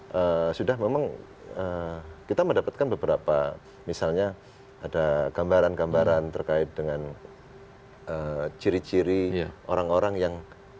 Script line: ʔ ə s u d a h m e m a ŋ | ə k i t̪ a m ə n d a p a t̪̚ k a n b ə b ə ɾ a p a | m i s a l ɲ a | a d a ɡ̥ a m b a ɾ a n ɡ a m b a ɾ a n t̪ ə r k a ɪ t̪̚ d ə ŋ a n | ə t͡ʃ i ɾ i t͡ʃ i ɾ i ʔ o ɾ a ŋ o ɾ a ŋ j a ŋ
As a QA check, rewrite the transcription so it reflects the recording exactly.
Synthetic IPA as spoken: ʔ ə s u d a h m e m a ŋ | ə k i t̪ a m ə n d a p a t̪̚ k a n b ə b ə ɾ a p a | m i s a l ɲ a | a d a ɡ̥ a m b a ɾ a n ɡ a m b a ɾ a n t̪ ə r k a ɪ t̪̚ d ə ŋ a n | ə t͡ʃ i ɾ i t͡ʃ i ɾ i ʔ o ɾ a ŋ o ɾ a ŋ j a ŋ